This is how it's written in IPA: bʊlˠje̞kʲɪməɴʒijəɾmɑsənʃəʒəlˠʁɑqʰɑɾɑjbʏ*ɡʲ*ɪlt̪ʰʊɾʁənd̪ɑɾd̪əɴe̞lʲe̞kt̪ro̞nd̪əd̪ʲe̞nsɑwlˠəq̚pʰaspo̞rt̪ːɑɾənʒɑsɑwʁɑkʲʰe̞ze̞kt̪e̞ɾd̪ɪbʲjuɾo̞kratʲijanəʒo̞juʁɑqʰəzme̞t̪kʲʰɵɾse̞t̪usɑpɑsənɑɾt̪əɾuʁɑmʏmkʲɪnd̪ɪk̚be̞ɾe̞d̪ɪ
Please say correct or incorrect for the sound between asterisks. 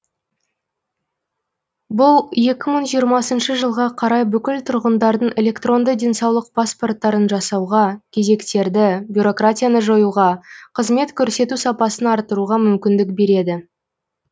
incorrect